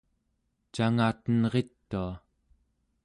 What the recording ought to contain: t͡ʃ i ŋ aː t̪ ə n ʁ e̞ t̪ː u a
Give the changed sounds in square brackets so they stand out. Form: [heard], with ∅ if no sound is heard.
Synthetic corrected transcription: t͡ʃ [a] ŋ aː t̪ ə n ʁ e̞ t̪ː u a